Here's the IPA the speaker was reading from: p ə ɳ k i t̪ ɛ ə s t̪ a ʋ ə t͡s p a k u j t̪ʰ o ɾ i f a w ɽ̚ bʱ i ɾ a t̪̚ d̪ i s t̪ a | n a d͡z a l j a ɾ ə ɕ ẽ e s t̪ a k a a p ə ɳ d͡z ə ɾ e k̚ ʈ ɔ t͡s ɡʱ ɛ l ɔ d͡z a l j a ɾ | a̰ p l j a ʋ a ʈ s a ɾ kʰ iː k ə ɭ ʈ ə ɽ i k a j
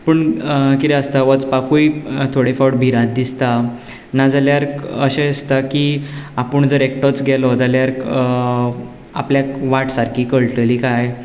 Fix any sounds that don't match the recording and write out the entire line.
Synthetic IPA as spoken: p ə ɳ k i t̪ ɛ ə s t̪ a ʋ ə t͡s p a k u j t̪ʰ o ɽ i f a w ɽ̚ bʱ i ɾ a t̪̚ d̪ i s t̪ a | n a d͡z a l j a ɾ ə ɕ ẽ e s t̪ a k i a p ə ɳ d͡z ə ɾ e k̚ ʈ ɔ t͡s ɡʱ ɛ l ɔ d͡z a l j a ɾ | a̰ p l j a ʋ a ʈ s a ɾ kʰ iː k ə ɭ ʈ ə l i k a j